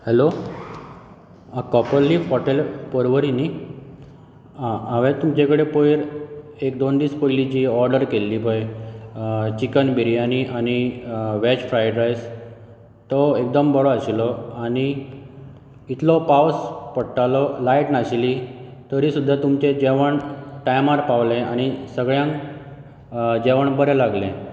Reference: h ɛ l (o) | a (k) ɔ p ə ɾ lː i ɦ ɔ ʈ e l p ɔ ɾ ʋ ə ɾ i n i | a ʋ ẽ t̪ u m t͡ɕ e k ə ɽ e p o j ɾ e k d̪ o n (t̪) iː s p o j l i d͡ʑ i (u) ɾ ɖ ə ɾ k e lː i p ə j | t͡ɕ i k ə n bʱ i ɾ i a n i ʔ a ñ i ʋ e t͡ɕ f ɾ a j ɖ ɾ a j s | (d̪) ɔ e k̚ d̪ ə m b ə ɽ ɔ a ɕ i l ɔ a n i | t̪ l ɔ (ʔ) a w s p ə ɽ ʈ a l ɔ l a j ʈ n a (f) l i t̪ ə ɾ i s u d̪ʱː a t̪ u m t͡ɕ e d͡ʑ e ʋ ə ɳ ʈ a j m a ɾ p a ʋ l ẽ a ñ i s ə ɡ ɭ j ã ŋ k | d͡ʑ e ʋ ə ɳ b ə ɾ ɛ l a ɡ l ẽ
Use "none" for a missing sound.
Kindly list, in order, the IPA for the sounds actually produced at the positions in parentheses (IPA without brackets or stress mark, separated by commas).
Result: o, k, d̪, ɔ, t̪, p, ɕ